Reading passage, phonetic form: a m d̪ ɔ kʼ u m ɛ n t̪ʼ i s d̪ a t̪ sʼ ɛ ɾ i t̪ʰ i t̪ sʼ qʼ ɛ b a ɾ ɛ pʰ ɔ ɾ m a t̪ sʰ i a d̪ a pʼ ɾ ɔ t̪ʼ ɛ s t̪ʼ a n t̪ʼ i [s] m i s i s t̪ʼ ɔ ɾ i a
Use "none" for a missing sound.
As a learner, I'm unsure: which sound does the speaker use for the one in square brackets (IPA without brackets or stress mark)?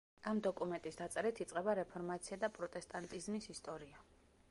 z